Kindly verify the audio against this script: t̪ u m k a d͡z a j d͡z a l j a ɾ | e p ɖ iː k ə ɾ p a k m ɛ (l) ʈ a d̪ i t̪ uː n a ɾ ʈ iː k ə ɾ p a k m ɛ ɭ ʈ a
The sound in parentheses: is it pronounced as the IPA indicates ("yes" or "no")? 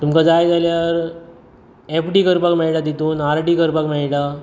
no